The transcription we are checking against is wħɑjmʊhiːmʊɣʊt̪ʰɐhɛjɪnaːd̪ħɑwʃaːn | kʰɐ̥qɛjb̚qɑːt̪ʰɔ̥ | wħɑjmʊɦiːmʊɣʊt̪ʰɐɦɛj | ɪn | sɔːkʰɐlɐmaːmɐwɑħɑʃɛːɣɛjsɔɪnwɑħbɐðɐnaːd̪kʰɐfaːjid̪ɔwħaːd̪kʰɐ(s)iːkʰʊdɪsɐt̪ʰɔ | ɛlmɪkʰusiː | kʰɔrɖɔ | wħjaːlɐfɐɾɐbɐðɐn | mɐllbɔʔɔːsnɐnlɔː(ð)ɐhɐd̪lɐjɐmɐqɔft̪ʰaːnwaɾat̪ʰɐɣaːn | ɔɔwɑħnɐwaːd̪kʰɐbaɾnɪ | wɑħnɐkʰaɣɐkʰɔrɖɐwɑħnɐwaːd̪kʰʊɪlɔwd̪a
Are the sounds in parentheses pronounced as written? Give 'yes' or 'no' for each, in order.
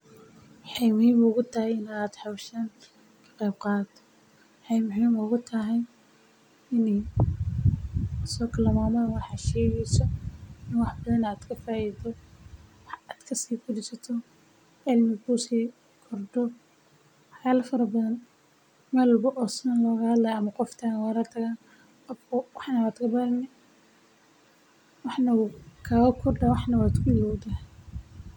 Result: yes, no

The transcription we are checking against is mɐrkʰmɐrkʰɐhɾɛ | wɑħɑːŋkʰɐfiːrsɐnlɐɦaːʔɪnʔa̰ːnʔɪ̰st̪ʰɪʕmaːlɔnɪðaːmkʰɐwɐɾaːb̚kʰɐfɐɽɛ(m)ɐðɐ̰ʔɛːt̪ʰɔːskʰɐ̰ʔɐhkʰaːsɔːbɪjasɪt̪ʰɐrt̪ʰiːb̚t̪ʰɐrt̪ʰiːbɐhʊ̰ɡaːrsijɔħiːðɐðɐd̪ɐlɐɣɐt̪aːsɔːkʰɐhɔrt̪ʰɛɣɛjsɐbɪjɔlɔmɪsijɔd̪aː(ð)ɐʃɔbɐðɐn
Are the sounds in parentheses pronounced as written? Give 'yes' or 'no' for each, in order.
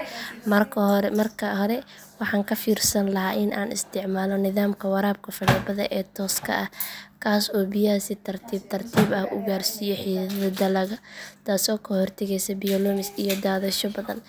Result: no, yes

